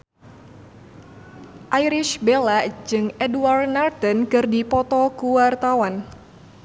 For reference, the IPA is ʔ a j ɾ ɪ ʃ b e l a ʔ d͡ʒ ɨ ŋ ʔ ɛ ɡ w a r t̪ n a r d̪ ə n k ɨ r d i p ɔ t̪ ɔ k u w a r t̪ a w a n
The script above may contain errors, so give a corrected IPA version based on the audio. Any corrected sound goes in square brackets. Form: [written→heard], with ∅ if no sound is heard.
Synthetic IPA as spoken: ʔ a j ɾ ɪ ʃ b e l a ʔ d͡ʒ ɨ ŋ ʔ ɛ [ɡ→d] w a r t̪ n a r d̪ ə n k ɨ r d i p ɔ t̪ ɔ k u w a r t̪ a w a n